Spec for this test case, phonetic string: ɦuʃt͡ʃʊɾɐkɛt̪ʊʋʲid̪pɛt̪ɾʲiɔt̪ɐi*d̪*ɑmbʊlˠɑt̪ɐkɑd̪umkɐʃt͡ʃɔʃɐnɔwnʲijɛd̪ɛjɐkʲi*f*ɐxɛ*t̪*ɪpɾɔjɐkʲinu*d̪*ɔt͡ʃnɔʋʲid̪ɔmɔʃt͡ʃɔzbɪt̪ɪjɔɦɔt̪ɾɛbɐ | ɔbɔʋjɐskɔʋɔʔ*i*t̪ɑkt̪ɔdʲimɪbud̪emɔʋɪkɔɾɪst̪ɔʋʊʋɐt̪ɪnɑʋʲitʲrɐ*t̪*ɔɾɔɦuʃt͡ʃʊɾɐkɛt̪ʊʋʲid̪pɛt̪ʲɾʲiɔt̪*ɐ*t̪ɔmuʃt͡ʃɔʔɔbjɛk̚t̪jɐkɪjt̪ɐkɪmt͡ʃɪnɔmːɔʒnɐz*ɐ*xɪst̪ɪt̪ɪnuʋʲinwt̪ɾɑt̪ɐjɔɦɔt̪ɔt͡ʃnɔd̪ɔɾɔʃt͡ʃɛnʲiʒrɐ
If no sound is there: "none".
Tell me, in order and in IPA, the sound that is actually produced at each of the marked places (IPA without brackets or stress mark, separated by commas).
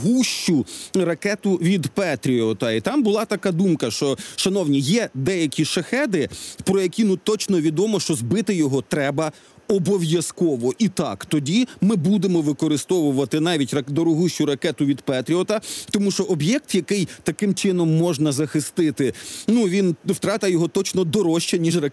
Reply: t̪, ʃ, d̪, t̪, i, d̪, ɐ, ɐ